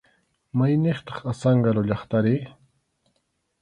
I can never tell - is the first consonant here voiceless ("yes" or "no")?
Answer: no